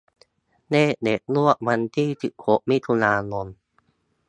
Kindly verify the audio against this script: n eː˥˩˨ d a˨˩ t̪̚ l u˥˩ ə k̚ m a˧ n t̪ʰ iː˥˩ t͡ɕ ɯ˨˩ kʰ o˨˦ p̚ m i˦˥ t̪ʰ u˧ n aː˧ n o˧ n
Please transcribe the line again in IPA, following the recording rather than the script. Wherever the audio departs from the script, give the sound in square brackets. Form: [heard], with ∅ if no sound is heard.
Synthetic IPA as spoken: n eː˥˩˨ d [e˨˩] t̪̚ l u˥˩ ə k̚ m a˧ n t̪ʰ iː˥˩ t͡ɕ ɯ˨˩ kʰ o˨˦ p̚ m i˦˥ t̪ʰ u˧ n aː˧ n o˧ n